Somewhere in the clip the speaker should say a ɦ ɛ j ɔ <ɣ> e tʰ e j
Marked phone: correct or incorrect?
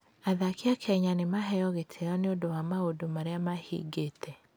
correct